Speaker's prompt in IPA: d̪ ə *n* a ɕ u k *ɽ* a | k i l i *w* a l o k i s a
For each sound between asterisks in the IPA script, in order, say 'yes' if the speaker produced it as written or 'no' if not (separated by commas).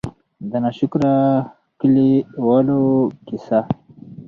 yes, no, yes